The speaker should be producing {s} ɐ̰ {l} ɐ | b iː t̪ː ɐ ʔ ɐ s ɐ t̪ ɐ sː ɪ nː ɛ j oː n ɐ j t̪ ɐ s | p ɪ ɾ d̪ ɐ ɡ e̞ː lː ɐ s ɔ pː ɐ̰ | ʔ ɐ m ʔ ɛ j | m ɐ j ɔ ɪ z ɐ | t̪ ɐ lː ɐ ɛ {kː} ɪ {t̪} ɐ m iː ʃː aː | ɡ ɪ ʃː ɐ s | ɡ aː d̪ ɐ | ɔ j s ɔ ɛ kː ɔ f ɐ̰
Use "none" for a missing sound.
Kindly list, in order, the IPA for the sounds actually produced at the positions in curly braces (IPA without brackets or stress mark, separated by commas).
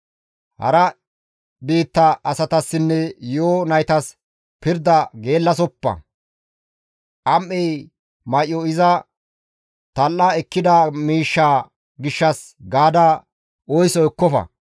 h, ɾ, kː, d̪